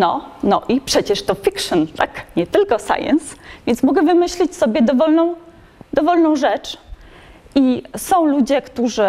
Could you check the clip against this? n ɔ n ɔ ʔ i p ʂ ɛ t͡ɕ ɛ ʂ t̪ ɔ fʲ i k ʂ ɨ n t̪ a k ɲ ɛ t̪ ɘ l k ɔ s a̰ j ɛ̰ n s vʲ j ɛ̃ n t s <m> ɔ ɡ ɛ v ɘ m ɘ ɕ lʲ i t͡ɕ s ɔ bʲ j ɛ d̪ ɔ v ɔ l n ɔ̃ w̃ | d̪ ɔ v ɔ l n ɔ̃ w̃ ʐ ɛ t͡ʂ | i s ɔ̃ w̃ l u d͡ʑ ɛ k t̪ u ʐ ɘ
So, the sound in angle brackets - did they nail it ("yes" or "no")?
yes